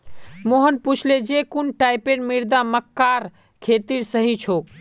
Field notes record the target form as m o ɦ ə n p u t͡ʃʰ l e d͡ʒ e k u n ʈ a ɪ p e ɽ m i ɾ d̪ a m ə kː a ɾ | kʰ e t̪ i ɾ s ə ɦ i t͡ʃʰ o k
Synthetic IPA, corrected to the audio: m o ɦ ə n p u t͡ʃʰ l e d͡ʒ e k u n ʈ a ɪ p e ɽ m i ɾ d̪ a m ə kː a ɾ | kʰ e t̪ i ɾ s ə ɦ i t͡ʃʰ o k